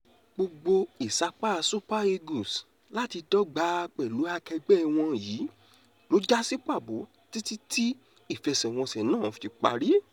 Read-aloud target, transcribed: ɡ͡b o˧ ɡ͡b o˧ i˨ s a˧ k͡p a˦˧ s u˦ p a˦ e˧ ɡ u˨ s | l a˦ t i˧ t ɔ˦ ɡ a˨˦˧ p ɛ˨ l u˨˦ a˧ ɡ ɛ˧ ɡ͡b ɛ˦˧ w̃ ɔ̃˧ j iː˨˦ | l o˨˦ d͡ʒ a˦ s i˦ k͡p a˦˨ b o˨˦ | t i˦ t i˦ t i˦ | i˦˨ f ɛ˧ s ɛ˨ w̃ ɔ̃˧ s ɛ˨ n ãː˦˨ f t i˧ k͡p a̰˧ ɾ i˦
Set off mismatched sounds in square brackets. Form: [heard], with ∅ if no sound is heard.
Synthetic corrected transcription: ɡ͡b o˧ ɡ͡b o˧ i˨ s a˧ k͡p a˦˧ s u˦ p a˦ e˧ ɡ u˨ s | l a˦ t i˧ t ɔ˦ [ɡ͡b] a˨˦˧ [k͡p] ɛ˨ l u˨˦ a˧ [k] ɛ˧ ɡ͡b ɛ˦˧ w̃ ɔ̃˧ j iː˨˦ | l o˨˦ d͡ʒ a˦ s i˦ k͡p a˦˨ b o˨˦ | t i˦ t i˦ t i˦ | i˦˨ f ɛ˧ s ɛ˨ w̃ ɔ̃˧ s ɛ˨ n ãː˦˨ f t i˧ k͡p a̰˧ ɾ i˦

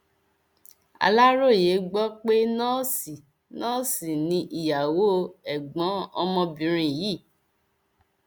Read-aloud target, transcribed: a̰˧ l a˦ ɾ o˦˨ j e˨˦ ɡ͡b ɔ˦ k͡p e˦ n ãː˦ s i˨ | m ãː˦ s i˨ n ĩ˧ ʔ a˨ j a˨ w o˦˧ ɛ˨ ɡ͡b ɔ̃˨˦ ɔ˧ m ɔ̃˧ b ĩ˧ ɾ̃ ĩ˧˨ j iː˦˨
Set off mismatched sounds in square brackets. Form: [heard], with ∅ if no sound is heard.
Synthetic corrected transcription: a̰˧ l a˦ ɾ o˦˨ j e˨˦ ɡ͡b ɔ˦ k͡p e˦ n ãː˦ s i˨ | [n] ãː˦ s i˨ n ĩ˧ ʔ [i˨] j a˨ w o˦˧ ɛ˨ ɡ͡b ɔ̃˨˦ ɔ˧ m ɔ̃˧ b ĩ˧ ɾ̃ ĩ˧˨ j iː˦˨

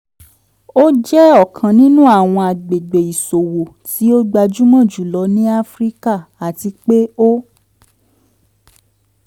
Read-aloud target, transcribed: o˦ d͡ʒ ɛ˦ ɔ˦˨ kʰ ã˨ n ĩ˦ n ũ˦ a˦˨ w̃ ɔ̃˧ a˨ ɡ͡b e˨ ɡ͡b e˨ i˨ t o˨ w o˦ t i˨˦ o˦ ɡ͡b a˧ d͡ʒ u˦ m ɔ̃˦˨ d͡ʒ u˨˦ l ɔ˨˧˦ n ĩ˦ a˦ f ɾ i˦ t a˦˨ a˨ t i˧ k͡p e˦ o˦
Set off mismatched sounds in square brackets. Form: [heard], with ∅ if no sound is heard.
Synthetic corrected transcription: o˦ d͡ʒ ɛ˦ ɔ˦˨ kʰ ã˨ n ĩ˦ n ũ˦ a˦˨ w̃ ɔ̃˧ a˨ ɡ͡b e˨ ɡ͡b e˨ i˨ [s] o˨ w [o˨] t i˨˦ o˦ ɡ͡b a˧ d͡ʒ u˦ m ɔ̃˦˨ d͡ʒ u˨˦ l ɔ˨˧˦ n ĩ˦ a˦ f ɾ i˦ [k] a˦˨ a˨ t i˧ k͡p e˦ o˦

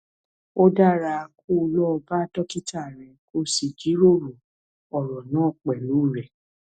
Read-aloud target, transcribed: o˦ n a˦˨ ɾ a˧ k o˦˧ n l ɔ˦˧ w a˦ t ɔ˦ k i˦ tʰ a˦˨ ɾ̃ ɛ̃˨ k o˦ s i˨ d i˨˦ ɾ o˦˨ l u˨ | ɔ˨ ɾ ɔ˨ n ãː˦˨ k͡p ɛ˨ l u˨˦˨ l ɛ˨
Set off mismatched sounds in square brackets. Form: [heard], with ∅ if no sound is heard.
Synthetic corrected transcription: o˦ [d] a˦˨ ɾ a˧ k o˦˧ [∅] l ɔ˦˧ [b] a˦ t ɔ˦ k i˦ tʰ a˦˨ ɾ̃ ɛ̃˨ k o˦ s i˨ [d͡ʒ] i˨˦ ɾ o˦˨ [ɾ] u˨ | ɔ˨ ɾ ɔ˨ n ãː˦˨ k͡p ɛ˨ l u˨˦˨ [ɾ] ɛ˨

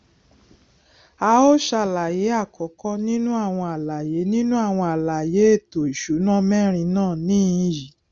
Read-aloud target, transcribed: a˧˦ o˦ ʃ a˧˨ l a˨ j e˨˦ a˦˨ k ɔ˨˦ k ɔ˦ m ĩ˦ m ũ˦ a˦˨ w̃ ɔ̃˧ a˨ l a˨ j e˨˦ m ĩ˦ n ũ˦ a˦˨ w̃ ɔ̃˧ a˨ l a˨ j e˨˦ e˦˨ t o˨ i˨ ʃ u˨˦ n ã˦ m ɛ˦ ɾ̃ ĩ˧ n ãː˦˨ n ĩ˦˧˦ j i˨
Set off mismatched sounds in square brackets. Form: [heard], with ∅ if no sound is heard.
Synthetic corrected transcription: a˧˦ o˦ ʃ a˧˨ l a˨ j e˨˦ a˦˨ k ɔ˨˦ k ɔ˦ [n] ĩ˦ [n] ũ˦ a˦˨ w̃ ɔ̃˧ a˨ l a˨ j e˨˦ [n] ĩ˦ n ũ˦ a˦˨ w̃ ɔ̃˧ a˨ l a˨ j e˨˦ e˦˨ t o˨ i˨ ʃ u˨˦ n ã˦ m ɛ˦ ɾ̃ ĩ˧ n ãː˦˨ n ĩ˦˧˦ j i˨

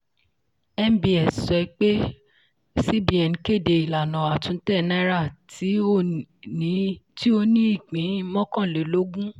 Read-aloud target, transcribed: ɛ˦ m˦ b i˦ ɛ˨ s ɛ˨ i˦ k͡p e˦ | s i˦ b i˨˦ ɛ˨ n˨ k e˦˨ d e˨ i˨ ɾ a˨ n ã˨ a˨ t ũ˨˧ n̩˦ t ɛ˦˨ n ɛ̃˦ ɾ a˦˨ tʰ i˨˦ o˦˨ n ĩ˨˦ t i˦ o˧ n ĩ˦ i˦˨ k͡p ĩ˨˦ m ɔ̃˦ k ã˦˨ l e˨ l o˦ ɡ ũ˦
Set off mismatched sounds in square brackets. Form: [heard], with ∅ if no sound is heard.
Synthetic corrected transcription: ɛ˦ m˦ b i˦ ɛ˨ s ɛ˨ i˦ k͡p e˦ | s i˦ b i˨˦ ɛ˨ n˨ k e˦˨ d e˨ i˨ [l] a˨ n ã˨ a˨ t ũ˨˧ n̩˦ t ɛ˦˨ n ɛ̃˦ ɾ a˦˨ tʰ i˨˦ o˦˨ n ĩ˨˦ t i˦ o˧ n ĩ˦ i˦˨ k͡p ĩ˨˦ m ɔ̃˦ k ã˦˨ l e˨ l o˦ ɡ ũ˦

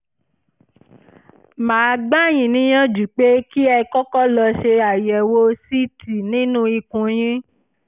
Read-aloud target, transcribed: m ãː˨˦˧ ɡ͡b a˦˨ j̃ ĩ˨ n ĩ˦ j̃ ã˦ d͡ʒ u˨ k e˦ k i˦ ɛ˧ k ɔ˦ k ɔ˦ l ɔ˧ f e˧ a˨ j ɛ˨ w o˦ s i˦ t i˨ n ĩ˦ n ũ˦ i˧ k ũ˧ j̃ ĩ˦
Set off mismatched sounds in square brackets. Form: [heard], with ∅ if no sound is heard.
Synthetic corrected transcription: m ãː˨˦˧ ɡ͡b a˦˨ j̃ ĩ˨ n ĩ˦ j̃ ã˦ d͡ʒ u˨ [k͡p] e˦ k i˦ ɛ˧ k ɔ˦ k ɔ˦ l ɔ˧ [ʃ] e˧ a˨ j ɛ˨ w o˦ s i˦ t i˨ n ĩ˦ n ũ˦ i˧ k ũ˧ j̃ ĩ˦

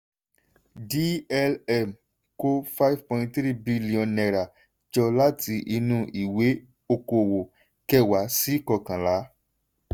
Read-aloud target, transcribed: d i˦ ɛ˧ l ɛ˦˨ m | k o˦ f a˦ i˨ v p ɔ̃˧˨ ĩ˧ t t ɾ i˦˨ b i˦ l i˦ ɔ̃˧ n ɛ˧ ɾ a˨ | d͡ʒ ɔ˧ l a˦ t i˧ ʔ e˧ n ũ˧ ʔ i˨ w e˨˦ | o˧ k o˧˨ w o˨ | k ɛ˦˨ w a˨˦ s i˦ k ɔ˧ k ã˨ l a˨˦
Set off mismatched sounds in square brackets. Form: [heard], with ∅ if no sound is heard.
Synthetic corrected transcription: d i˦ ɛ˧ l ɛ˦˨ m | k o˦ f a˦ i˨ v p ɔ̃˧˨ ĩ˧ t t ɾ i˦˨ b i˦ l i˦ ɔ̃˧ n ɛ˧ ɾ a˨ | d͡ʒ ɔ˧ l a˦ t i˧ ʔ [i˧] n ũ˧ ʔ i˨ w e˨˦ | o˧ k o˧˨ w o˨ | k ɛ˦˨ w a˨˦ s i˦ k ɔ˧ k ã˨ l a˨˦

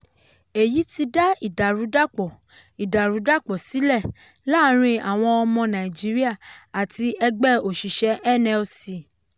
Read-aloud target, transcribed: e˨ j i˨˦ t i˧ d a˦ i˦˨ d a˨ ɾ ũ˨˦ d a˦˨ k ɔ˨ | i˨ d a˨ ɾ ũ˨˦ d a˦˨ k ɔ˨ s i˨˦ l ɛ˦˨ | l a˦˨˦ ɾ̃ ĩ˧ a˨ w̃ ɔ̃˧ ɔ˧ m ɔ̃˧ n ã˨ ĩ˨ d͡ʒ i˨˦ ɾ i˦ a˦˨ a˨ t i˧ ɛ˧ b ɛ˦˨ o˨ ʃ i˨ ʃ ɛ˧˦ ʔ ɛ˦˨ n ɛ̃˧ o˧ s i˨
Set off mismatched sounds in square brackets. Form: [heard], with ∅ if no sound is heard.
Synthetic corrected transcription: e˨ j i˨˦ t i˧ d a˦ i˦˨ d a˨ ɾ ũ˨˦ d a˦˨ [k͡p] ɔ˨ | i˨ d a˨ ɾ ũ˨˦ d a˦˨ [k͡p] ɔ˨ s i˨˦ l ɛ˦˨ | l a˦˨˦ ɾ̃ ĩ˧ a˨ w̃ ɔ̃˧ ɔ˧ m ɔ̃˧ n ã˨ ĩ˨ d͡ʒ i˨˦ ɾ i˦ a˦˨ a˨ t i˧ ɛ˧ [ɡ͡b] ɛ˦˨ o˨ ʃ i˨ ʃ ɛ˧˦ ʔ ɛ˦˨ n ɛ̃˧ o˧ s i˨

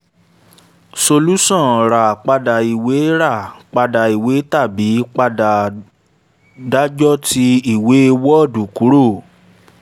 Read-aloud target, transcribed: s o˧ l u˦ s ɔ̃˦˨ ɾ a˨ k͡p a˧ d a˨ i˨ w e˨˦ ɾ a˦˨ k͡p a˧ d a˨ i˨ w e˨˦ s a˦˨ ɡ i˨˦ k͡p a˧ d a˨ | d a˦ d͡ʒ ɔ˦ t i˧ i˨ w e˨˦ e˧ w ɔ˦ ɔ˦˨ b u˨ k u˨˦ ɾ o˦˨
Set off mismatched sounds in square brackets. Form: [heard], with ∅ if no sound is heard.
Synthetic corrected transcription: s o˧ l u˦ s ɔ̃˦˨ ɾ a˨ k͡p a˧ d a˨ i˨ w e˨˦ ɾ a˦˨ k͡p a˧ d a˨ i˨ w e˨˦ [t] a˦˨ [b] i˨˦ k͡p a˧ d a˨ | d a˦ d͡ʒ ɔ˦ t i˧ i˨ w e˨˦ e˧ w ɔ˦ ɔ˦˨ [d] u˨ k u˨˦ ɾ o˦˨

